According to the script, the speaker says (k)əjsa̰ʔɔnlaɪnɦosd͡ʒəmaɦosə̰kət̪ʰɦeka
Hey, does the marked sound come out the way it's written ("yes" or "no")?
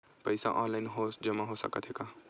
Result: no